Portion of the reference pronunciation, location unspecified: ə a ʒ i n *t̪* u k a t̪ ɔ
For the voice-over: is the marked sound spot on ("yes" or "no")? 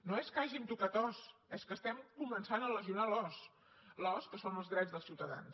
yes